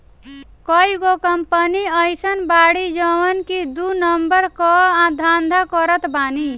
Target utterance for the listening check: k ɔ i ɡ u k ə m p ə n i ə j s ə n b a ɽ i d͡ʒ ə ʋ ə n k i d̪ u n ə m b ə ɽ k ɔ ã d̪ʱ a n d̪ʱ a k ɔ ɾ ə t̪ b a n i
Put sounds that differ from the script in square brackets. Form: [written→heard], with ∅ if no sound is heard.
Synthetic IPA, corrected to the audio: k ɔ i ɡ [u→o] k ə m p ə n i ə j s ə n b a ɽ i d͡ʒ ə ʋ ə n k i d̪ u n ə m b ə [ɽ→ɾ] k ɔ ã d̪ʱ a n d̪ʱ a k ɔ ɾ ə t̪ b a n i